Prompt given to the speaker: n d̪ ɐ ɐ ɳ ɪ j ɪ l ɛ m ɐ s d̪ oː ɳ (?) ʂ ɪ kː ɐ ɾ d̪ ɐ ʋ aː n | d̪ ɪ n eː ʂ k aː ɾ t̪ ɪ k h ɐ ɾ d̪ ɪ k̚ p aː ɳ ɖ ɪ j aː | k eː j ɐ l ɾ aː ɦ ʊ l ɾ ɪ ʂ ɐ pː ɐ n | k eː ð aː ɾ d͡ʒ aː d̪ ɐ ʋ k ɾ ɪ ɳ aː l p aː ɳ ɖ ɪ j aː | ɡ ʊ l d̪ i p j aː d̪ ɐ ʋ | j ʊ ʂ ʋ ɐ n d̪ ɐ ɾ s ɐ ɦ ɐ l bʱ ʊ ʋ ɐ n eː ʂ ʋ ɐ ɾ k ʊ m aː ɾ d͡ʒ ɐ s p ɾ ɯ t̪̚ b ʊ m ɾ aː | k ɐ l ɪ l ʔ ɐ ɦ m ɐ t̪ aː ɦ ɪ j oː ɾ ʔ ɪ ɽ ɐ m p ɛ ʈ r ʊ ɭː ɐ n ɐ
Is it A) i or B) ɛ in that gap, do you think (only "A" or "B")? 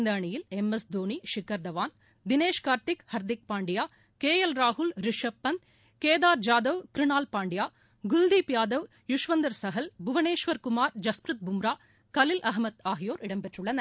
A